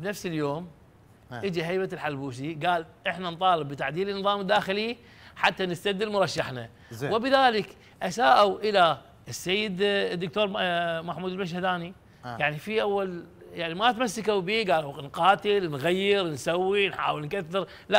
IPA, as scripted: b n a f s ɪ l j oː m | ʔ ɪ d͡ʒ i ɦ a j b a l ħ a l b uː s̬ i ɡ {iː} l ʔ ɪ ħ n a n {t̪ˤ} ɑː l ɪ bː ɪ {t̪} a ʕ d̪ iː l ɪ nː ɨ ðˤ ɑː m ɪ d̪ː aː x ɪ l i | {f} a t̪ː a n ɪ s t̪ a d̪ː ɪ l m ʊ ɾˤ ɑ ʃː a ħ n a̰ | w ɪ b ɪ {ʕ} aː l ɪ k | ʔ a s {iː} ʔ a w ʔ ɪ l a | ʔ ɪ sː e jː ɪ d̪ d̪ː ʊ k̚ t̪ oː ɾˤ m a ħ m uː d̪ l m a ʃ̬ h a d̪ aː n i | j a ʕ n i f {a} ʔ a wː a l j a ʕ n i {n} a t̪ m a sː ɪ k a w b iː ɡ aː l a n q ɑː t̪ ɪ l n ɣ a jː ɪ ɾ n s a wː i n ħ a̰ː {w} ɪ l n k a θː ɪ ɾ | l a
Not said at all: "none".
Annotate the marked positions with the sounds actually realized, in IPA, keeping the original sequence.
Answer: aː, t̪ˤ, t̪, ħ, ð, aː, i, m, w

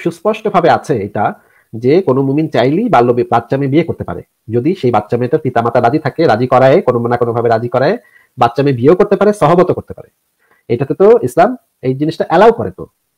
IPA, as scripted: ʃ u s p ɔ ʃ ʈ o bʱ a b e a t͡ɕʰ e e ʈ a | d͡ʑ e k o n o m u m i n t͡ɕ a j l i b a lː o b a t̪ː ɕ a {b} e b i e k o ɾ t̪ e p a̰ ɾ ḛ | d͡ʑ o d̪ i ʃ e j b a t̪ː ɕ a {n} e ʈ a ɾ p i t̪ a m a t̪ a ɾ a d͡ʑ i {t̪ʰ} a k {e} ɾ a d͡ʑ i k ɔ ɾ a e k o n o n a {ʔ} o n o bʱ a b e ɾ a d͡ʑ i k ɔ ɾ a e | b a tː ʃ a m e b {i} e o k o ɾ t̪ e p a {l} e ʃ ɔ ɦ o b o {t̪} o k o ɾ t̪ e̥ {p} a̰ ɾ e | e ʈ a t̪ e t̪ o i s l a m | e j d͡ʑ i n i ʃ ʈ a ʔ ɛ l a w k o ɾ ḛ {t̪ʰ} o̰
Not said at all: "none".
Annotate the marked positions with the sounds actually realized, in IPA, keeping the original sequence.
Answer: m, m, t̪ʰ, e, k, i, ɾ, t̪, p, t̪

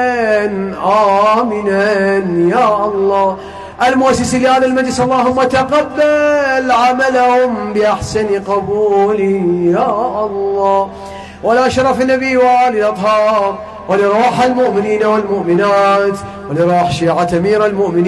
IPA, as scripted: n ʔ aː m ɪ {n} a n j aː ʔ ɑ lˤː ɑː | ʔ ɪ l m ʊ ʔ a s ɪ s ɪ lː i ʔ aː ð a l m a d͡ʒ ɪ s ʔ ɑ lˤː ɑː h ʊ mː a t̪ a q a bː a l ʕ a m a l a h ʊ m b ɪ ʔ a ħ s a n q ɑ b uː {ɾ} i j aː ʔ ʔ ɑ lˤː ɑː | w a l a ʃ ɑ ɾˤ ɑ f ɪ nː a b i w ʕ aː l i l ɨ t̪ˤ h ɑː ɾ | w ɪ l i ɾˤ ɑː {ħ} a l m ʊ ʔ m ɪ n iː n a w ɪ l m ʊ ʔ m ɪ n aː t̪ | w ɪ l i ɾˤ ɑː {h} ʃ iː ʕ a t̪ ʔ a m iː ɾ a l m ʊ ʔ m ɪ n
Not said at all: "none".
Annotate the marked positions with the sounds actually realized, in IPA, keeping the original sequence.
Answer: n, l, ħ, ħ

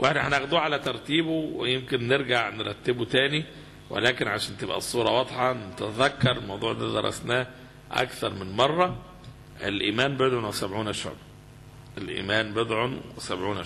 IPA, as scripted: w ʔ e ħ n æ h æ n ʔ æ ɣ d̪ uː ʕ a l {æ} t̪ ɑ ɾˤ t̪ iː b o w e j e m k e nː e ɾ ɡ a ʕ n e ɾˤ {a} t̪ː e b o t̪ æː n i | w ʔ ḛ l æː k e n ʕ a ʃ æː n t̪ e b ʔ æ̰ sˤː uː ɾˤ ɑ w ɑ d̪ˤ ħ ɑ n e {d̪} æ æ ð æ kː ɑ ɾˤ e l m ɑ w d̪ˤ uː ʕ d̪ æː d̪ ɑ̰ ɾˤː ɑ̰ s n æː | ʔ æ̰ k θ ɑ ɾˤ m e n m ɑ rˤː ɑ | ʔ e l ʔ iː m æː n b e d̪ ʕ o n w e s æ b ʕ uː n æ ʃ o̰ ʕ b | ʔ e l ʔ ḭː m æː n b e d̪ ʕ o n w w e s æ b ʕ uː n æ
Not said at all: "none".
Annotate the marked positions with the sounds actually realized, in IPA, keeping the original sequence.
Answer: æ, ɑ, t̪

